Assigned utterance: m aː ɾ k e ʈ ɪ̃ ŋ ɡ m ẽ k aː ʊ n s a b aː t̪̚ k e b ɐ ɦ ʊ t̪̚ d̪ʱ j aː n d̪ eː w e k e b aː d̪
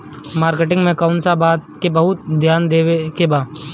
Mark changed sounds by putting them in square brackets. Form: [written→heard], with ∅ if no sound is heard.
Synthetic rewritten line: m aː ɾ k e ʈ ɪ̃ ŋ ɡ m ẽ k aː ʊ n s a b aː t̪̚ k e b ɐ ɦ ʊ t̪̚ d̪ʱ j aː n d̪ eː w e k e b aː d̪